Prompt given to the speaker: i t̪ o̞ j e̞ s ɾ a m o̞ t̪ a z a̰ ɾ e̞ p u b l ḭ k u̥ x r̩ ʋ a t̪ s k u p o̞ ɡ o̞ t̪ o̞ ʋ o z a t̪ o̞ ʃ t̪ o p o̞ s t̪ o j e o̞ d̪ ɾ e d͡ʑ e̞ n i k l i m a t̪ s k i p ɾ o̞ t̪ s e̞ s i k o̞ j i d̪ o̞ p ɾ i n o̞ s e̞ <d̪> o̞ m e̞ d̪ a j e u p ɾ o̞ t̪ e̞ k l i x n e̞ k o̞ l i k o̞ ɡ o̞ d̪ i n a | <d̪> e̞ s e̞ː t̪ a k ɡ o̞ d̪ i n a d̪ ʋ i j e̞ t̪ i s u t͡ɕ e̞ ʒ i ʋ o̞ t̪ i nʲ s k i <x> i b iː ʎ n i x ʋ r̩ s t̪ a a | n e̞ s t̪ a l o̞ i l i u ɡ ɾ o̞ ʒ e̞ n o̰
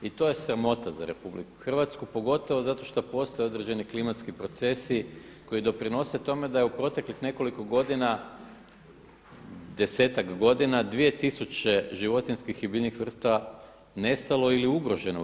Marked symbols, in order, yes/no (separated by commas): no, yes, yes